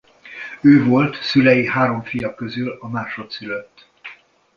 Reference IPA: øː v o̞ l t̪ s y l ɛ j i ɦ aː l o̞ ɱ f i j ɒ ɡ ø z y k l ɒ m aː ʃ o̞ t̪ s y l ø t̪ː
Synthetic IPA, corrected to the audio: øː v o̞ l t̪ s y l ɛ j i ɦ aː ɾ o̞ ɱ f i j ɒ k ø z y l ɒ m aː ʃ o̞ t̪ s y l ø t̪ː